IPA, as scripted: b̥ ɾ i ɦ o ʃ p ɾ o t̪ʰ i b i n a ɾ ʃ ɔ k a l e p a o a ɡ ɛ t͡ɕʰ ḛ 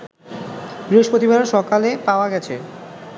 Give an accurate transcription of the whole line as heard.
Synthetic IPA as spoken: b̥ ɾ i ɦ o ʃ p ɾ o t̪ i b a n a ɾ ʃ ɔ k a l e p a o a ɡ ɛ t͡ɕʰ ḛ

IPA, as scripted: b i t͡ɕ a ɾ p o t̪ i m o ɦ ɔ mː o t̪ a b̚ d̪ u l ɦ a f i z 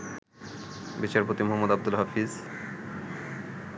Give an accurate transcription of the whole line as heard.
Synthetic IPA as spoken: b i t͡ɕ a ɾ p o t̪ i m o ɦ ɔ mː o d̪ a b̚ d̪ u l ɦ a f i z

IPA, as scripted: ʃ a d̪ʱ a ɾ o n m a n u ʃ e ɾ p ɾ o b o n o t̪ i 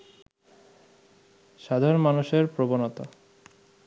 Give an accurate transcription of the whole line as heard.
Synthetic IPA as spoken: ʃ a d̪ʱ a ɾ o n m a n u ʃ e ɾ p ɾ o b o n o t̪ a

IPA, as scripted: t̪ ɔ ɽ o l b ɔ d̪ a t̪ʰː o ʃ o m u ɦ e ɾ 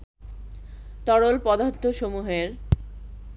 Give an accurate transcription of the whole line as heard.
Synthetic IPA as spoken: t̪ ɔ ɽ o l p ɔ d̪ a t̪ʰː o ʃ o m u ɦ e ɾ

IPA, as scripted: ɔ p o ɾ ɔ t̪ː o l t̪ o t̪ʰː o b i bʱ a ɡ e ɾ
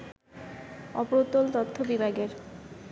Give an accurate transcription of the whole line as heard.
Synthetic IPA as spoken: ɔ p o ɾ o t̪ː o l t̪ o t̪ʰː o b i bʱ a ɡ e ɾ

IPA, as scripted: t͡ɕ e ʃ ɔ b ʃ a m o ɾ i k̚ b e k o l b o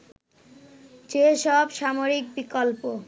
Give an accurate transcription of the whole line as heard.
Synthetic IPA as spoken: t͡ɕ e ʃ ɔ b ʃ a m o ɾ i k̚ b i k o l p o

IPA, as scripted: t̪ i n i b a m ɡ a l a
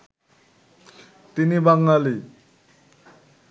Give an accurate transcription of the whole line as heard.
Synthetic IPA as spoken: t̪ i n i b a ŋ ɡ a l i

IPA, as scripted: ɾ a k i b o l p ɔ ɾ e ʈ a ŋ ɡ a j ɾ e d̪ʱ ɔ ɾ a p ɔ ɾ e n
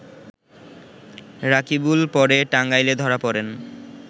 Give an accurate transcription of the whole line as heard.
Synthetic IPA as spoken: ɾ a k i b u l p ɔ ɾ e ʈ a ŋ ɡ a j l e d̪ʱ ɔ ɾ a p ɔ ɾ e n

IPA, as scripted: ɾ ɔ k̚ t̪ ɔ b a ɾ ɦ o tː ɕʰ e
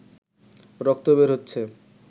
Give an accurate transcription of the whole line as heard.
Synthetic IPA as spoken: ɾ ɔ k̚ t̪ o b e ɾ ɦ o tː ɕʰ e

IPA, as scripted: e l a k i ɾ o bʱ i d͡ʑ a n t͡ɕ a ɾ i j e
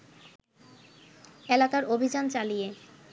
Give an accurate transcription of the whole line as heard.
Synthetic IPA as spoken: e l a k a ɾ o bʱ i d͡ʑ a n t͡ɕ a l i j e

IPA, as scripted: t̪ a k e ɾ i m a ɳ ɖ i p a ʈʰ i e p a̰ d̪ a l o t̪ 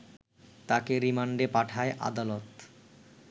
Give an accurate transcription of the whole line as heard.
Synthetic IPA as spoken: t̪ a k e ɾ i m a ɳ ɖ e p a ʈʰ a e ʔ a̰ d̪ a l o t̪

